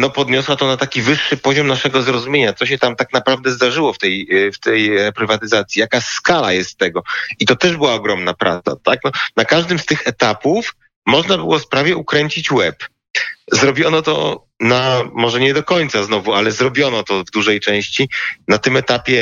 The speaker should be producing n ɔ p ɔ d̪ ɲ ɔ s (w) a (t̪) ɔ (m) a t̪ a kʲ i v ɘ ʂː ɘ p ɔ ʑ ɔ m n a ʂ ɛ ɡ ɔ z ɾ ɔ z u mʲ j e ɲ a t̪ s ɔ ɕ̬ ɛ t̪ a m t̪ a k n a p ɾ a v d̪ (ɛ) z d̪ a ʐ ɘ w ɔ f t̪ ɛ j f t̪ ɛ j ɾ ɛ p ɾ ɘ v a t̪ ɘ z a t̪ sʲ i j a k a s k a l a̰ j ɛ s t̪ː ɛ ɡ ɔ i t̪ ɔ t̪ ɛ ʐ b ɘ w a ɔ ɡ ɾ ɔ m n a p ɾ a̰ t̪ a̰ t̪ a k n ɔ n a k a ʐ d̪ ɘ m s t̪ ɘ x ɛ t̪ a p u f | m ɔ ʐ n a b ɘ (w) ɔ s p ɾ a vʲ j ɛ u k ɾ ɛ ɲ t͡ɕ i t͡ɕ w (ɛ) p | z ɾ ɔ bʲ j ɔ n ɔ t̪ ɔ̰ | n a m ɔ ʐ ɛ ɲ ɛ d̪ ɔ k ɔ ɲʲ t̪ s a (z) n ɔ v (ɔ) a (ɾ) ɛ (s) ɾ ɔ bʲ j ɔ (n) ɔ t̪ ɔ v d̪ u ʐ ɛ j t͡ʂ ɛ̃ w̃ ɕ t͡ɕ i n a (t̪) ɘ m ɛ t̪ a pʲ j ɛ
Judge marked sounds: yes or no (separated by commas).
yes, yes, no, yes, yes, yes, yes, no, no, no, yes, yes